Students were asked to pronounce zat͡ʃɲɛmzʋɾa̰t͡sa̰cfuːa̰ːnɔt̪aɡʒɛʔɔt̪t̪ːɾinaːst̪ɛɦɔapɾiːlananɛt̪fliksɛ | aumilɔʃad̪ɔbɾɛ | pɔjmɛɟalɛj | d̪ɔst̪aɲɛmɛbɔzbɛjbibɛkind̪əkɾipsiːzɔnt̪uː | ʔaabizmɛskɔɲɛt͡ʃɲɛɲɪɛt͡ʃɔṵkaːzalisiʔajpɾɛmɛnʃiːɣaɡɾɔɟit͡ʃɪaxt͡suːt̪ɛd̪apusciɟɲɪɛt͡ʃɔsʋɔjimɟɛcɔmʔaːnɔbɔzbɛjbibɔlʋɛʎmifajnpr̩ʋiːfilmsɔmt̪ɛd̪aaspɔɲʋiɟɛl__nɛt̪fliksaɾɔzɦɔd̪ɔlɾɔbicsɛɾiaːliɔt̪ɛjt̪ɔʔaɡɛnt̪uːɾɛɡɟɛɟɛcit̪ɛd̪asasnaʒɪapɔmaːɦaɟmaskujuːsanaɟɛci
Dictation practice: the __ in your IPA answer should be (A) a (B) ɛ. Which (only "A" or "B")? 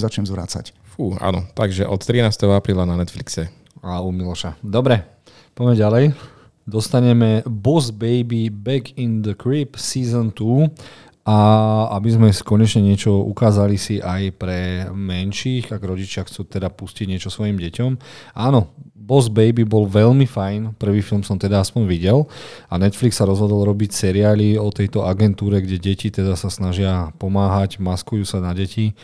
A